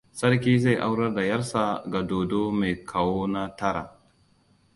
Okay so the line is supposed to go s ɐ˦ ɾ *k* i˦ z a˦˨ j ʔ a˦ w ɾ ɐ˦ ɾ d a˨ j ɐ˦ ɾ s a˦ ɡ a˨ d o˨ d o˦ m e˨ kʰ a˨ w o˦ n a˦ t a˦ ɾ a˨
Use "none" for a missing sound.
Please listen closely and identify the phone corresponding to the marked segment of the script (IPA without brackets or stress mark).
k